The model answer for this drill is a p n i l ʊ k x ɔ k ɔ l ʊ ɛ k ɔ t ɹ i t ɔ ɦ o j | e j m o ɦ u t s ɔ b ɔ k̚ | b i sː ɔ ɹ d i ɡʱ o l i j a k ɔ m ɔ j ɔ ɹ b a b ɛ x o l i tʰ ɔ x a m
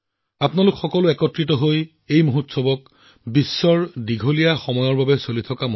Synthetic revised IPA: a p n a l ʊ k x ɔ k ɔ l ʊ ɛ k ɔ t ɹ i t ɔ ɦ o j | e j m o ɦ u t s ɔ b ɔ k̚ | b i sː ɔ ɹ d i ɡʱ o l i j a x ɔ m ɔ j ɔ ɹ b a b ɛ s o l i tʰ ɔ k a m